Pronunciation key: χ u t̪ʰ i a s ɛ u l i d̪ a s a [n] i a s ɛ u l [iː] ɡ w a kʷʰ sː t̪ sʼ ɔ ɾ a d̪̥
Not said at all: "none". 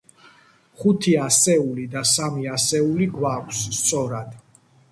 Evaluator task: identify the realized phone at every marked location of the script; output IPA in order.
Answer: m, i

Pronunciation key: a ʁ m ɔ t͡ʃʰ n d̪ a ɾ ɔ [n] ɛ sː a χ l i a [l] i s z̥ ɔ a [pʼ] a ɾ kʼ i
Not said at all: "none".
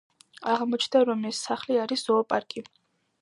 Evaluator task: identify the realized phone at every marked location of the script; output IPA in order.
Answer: m, ɾ, pʼ

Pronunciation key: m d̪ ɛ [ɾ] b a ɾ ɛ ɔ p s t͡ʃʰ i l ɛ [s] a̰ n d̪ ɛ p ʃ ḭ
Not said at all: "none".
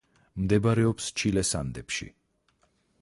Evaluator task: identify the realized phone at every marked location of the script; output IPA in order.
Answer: none, s

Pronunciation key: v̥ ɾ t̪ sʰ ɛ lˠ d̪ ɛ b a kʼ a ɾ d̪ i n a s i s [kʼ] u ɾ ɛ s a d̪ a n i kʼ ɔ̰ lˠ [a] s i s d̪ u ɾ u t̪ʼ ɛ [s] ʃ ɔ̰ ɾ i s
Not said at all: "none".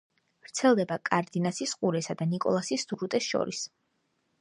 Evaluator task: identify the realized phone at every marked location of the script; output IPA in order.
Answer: qʼ, a, s

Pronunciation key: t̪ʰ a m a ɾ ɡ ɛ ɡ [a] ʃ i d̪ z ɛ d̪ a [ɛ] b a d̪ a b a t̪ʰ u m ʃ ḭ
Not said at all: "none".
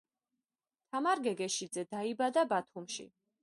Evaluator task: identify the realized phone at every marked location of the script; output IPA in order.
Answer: ɛ, i

